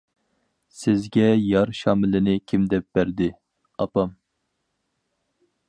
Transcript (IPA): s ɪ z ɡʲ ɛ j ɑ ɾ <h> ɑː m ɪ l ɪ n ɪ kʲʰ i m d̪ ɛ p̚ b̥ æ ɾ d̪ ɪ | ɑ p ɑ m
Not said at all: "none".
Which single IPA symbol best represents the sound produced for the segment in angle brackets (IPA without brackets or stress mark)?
ʃ